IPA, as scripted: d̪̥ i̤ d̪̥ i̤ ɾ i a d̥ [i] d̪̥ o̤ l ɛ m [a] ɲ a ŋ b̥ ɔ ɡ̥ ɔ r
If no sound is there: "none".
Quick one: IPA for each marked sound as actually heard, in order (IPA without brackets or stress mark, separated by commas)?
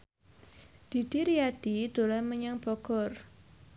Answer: i, ə